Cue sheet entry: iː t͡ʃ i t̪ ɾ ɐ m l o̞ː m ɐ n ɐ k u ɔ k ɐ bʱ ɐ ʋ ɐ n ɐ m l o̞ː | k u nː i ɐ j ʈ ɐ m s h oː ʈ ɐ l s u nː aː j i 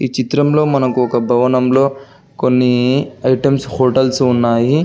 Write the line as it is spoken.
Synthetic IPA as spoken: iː t͡ʃ i t̪ ɾ ɐ m l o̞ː m ɐ n ɐ k u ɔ k ɐ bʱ ɐ ʋ ɐ n ɐ m l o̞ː | k o nː i ɐ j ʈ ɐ m s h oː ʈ ɐ l s u nː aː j i